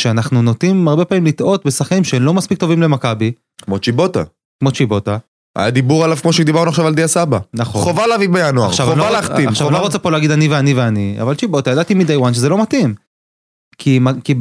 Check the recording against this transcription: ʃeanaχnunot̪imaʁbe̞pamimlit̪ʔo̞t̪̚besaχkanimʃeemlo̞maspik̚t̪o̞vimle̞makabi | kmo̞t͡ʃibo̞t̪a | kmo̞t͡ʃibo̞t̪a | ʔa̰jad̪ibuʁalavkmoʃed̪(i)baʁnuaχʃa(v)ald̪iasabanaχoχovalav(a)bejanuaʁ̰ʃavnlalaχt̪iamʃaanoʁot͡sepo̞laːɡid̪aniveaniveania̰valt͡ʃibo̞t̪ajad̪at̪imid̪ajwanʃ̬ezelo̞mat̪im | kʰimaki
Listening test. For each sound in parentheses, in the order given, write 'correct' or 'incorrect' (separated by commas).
correct, correct, incorrect